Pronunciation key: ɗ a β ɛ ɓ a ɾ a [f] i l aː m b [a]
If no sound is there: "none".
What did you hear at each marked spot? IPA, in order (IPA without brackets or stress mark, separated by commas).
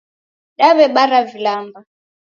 v, a